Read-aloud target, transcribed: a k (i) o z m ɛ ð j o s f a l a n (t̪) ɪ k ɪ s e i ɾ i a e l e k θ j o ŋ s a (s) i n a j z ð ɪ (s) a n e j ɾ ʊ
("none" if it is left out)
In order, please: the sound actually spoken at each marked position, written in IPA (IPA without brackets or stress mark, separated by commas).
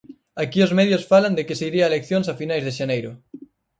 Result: i, d̪, f, ʃ